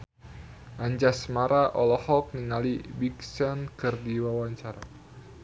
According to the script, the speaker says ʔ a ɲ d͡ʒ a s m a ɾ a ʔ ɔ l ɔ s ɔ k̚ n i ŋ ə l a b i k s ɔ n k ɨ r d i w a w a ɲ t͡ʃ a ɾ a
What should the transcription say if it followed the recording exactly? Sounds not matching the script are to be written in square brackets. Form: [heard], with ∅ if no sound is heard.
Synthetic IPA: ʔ a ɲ d͡ʒ a s m a ɾ a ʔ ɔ l ɔ [h] ɔ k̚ n i ŋ [a] l [i] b i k s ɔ n k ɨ r d i w a w a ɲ t͡ʃ a ɾ a